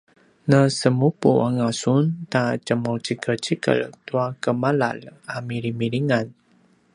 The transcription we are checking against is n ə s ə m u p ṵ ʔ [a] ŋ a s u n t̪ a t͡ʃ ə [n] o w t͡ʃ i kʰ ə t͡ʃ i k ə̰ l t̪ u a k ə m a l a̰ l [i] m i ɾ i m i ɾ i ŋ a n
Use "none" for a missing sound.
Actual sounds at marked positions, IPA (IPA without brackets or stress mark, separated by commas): a, m, a